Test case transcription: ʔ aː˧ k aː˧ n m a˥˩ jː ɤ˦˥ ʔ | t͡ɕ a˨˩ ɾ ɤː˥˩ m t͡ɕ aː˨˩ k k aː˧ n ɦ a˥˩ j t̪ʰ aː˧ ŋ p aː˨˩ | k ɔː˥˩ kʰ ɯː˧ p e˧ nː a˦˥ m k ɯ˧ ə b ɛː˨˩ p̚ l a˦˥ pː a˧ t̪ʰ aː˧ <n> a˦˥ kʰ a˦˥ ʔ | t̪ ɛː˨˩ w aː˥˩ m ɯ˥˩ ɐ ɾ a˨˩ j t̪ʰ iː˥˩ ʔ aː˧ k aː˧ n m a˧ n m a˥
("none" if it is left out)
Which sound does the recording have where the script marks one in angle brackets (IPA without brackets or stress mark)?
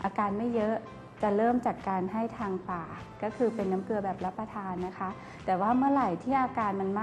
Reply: nː